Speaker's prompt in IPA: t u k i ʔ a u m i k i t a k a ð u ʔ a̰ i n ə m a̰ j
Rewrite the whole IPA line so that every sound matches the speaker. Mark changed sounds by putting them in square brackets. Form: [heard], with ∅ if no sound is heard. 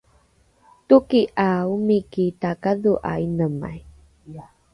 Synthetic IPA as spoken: t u k i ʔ a u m i k i t a k a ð u ʔ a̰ i n ə m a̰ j